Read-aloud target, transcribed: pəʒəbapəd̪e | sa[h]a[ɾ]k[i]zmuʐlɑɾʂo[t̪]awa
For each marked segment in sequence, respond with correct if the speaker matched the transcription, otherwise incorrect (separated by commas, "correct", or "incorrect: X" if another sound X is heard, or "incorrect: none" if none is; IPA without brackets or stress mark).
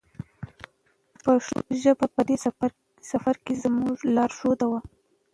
incorrect: f, correct, incorrect: e, incorrect: d̪